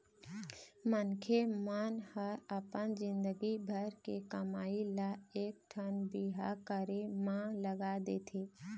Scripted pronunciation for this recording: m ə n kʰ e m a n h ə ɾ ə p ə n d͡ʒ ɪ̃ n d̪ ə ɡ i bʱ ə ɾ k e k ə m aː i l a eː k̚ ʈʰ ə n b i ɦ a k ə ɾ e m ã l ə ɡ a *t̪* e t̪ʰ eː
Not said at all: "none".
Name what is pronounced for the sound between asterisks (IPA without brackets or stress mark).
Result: d̪